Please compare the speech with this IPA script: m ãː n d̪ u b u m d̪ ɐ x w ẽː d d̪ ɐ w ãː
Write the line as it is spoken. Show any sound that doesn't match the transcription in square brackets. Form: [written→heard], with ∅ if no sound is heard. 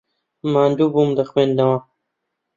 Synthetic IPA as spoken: m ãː n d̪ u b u m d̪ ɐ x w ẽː [d→n] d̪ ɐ w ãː